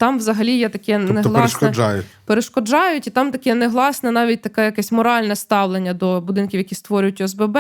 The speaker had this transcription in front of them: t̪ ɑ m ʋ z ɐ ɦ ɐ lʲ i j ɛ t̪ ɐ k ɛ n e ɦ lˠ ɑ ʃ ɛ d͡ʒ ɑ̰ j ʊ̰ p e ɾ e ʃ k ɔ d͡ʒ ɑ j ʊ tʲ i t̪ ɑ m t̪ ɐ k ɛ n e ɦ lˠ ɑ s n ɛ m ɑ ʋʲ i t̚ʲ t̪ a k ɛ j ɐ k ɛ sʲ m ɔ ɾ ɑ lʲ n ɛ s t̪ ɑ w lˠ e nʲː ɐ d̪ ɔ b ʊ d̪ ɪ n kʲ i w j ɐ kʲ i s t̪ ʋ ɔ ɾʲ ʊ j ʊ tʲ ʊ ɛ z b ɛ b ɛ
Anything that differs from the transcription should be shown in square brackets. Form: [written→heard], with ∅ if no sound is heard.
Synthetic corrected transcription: t̪ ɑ m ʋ z ɐ ɦ ɐ lʲ i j ɛ t̪ ɐ k ɛ n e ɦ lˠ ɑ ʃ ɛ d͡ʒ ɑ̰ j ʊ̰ p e ɾ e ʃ k ɔ d͡ʒ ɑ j ʊ tʲ i t̪ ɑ m t̪ ɐ k ɛ n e ɦ lˠ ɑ s n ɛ [m→n] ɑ ʋʲ i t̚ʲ t̪ [a→ɐ] k ɛ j ɐ k ɛ sʲ m ɔ ɾ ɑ lʲ n ɛ s t̪ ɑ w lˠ e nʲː ɐ d̪ ɔ b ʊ d̪ ɪ n kʲ i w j ɐ kʲ i s t̪ ʋ ɔ ɾʲ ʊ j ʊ tʲ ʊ ɛ z b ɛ b ɛ